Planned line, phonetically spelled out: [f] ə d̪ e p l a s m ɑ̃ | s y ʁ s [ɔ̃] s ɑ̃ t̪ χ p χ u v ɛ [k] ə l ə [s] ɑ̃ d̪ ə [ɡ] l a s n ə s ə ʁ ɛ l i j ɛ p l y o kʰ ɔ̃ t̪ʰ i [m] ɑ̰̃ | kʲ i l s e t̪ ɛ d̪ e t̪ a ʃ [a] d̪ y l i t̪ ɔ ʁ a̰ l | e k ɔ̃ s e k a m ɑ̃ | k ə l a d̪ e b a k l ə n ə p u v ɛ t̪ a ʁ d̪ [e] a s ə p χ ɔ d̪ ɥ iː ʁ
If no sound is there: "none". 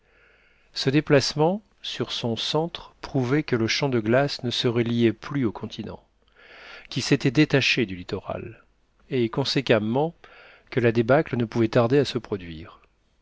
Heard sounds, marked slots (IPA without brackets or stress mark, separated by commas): s, ɔ̃, k, ʃ, ɡ, n, e, e